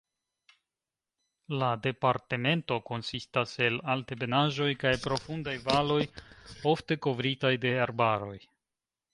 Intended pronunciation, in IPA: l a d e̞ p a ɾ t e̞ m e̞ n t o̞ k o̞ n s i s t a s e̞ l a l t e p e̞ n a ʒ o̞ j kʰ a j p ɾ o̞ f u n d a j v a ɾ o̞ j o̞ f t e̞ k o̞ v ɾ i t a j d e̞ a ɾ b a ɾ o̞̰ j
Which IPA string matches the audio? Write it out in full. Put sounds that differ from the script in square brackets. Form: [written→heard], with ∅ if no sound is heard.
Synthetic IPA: l a d e̞ p a ɾ t e̞ m e̞ n t o̞ k o̞ n s i s t a s e̞ l a l t e [p→b] e̞ n a ʒ o̞ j [kʰ→k] a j p ɾ o̞ f u n d a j v a [ɾ→l] o̞ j o̞ f t e̞ k o̞ v ɾ i t a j d e̞ a ɾ b a ɾ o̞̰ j